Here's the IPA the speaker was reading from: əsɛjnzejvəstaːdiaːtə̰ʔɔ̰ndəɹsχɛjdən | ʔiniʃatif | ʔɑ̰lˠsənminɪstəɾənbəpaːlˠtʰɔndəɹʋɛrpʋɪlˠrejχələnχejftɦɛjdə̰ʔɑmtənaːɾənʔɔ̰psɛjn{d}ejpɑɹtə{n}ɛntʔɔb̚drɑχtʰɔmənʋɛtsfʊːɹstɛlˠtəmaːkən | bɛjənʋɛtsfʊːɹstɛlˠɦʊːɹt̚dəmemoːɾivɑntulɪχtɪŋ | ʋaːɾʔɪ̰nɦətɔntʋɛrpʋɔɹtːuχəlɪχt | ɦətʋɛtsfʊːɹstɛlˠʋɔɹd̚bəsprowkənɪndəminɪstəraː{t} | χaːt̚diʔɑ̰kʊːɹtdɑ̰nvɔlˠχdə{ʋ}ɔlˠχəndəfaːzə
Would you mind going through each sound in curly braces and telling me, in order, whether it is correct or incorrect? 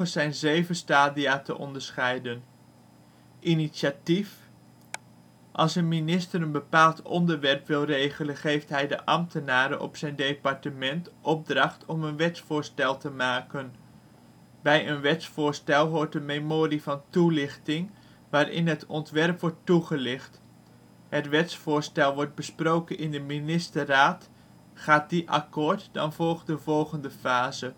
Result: correct, incorrect: m, correct, incorrect: v

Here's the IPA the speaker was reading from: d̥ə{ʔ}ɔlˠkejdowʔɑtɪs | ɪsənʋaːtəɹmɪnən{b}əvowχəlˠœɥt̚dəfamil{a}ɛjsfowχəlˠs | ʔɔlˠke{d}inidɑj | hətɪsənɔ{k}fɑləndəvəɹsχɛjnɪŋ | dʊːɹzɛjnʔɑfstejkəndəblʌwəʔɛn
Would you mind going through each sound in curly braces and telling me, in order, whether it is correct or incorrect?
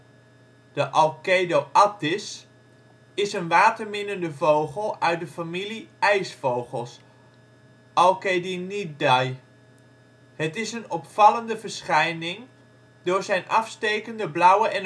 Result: correct, incorrect: d, incorrect: i, correct, incorrect: p

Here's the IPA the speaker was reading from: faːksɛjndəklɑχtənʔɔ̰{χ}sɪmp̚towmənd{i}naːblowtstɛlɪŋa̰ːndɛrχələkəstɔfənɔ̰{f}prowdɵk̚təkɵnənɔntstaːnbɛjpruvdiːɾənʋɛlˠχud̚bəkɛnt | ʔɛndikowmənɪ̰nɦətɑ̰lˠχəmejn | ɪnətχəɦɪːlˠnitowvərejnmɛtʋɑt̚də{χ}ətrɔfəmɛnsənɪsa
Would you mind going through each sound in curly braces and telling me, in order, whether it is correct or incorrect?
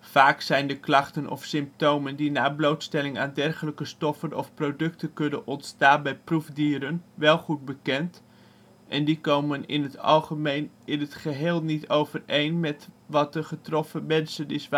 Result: incorrect: f, correct, correct, correct

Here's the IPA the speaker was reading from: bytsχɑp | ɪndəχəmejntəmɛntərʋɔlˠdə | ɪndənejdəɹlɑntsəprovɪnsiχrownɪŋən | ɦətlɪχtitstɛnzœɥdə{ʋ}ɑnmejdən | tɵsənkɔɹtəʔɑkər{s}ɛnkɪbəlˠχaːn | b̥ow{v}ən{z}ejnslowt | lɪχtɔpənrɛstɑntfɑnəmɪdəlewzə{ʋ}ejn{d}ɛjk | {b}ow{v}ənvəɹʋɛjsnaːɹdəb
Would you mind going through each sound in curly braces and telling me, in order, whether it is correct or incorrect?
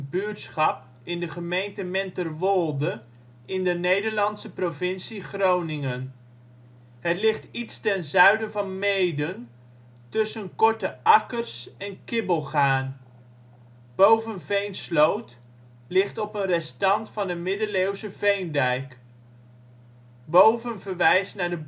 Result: incorrect: v, correct, correct, incorrect: v, incorrect: v, correct, correct, correct

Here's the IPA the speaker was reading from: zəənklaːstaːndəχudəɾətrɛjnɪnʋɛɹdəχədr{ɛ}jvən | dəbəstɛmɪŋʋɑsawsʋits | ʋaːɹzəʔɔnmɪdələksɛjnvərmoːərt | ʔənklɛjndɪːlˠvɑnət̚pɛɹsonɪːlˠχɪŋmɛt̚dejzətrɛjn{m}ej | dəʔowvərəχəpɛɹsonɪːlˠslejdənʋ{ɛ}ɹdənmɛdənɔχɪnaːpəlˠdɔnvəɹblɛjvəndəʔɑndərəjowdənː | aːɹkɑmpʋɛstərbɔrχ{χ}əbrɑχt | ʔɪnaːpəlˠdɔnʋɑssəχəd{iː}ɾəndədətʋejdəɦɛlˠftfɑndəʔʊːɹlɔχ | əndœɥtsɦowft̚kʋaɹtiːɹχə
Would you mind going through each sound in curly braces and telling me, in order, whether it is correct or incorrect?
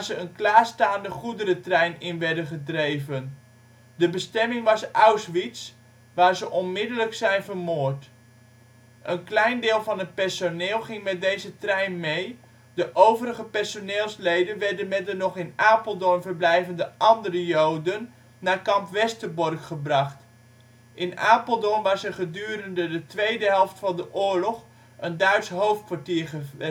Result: incorrect: e, correct, correct, correct, incorrect: yː

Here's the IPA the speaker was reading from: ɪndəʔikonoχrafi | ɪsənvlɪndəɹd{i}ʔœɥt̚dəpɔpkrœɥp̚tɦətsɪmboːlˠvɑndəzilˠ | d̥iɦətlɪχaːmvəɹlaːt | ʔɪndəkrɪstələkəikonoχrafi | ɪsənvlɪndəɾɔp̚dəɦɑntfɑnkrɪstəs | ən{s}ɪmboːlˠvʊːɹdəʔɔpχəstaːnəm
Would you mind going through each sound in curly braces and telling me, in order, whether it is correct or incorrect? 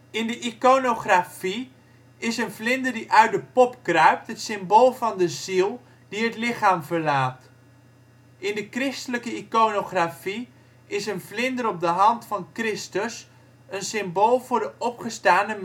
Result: correct, correct

